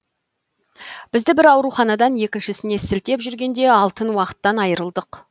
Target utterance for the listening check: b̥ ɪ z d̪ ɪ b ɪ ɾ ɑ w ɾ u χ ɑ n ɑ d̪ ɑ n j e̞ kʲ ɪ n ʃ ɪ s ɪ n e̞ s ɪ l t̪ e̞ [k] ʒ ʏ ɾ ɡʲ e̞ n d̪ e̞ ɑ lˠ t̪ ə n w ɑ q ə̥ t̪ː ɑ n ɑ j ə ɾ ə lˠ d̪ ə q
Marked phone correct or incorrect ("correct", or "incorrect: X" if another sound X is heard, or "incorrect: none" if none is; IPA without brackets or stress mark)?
incorrect: p